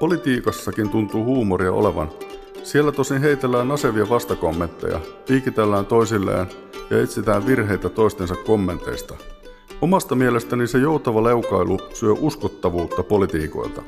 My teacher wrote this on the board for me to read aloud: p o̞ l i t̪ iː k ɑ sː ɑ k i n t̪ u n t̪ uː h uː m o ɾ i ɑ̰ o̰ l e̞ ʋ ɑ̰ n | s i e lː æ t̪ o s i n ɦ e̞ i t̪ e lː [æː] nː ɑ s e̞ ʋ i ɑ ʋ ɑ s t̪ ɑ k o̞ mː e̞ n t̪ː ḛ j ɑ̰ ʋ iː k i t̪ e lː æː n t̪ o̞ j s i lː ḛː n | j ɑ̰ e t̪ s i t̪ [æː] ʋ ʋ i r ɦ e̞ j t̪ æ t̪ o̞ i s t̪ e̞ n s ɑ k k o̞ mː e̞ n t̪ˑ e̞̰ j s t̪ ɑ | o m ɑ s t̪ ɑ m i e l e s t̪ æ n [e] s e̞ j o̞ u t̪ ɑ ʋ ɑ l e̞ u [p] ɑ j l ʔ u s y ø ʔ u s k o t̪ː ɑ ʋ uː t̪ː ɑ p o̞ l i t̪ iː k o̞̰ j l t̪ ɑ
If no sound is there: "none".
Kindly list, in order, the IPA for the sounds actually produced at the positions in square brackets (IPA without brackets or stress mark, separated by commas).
æː, æː, i, k